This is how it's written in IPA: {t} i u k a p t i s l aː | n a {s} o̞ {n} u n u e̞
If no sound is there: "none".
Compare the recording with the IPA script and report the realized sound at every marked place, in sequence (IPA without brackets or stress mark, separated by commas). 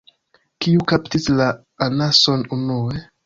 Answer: k, s, n